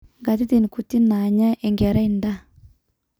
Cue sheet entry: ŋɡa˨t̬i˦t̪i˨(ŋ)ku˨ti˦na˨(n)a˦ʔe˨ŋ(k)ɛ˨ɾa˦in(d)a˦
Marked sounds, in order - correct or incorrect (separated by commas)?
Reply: incorrect, incorrect, incorrect, correct